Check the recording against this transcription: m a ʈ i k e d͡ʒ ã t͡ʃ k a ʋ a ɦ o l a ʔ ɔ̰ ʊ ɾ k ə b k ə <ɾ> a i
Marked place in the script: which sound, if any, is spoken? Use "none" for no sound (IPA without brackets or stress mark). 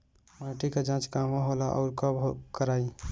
ɾ